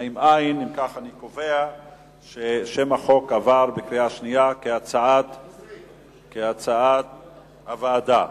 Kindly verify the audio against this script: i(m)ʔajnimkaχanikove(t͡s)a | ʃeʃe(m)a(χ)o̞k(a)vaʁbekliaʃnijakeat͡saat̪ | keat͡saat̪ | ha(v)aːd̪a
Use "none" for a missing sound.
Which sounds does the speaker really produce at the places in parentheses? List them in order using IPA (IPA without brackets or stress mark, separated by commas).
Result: m, none, m, χ, a, v